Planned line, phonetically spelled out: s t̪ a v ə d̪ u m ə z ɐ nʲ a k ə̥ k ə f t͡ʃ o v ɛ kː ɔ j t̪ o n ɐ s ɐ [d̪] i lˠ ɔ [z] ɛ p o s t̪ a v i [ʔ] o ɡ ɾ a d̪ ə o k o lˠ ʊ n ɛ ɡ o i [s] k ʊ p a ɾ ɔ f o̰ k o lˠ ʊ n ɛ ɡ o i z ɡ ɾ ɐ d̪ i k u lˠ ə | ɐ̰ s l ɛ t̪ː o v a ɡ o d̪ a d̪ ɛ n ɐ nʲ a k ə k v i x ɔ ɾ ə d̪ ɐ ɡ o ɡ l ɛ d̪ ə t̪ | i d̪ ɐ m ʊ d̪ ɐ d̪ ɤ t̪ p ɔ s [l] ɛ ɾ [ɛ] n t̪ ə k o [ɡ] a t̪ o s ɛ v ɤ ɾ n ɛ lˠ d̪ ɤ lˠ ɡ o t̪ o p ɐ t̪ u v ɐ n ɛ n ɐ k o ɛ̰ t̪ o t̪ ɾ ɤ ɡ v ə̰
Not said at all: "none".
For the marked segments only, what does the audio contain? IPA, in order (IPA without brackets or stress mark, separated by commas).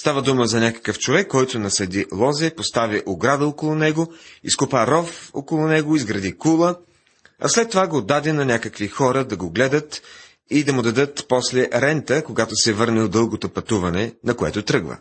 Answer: d̪, z, ʔ, s, l, ɛ, ɡ